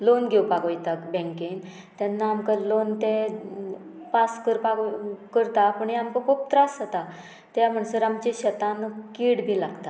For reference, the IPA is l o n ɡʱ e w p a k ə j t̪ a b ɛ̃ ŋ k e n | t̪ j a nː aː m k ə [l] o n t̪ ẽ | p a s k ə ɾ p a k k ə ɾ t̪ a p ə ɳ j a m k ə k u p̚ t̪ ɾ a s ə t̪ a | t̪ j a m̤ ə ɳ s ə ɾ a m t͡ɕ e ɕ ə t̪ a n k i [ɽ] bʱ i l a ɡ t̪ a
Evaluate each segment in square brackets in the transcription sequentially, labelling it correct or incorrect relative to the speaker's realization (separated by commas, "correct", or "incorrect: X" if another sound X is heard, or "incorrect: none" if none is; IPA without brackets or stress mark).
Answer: correct, correct